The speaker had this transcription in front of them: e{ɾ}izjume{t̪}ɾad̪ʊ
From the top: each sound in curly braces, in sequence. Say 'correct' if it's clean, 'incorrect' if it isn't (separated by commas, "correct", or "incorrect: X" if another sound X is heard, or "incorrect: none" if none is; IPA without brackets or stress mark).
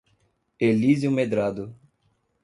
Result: incorrect: l, incorrect: d̪